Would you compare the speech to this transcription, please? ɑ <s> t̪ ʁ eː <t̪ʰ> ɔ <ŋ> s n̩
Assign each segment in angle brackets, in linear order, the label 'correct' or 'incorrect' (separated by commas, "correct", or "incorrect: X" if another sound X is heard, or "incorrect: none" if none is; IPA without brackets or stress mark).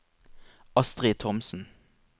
correct, correct, incorrect: m